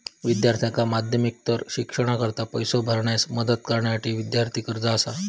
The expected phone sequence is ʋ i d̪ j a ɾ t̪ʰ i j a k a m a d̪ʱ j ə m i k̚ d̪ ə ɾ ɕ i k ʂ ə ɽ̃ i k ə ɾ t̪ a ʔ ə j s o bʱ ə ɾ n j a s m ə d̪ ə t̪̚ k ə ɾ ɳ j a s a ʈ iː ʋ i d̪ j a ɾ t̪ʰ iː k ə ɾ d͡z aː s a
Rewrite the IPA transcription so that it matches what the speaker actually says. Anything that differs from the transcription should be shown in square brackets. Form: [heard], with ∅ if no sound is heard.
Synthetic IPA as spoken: ʋ i d̪ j a ɾ t̪ʰ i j a k a m a d̪ʱ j ə m i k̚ [t̪] ə ɾ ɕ i k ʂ ə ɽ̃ [a] k ə ɾ t̪ a [p] ə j s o bʱ ə ɾ [ɳ] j a s m ə d̪ ə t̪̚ k ə ɾ ɳ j a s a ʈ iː ʋ i d̪ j a ɾ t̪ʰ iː k ə ɾ d͡z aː s a